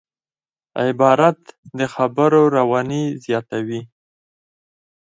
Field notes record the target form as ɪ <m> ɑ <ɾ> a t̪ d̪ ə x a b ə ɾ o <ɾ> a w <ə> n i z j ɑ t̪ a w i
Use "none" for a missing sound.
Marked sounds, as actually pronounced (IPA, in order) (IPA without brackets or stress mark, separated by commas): b, ɾ, ɾ, ɑ